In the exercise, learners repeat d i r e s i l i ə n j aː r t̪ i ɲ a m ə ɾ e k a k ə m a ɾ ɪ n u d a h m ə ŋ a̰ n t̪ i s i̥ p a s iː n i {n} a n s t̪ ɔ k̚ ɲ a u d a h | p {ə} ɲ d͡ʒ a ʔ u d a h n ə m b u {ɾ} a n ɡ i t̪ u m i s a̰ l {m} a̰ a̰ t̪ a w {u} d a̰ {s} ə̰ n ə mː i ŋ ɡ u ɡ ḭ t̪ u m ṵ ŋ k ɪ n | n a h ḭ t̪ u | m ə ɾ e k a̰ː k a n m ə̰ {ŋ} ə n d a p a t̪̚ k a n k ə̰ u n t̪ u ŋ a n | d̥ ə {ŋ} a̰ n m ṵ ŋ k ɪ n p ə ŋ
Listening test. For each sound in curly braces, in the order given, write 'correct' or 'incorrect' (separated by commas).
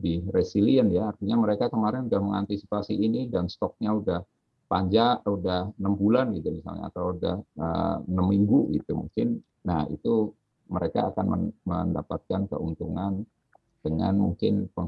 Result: incorrect, incorrect, incorrect, incorrect, correct, incorrect, incorrect, correct